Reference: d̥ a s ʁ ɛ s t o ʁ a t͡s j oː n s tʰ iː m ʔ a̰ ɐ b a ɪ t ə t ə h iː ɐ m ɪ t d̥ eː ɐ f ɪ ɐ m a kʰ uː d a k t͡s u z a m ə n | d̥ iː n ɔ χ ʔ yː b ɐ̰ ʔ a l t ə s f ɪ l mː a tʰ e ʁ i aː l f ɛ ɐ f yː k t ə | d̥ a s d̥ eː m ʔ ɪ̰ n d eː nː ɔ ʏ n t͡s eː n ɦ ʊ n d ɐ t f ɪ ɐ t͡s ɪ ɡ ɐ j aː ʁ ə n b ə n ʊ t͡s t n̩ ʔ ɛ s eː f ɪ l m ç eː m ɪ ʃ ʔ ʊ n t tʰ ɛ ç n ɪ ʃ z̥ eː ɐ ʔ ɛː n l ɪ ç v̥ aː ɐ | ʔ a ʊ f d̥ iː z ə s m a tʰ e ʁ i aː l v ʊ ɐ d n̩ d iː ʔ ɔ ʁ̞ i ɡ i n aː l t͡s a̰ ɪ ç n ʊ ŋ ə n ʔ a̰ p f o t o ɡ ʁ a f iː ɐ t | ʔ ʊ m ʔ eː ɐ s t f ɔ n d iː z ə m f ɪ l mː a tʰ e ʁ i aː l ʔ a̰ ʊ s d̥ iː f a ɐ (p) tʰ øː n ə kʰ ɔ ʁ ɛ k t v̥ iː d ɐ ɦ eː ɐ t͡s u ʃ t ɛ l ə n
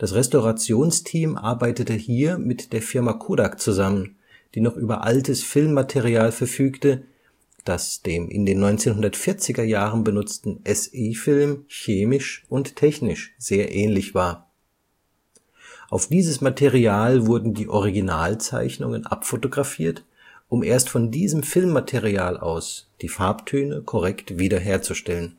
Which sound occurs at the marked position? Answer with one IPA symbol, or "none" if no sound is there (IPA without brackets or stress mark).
p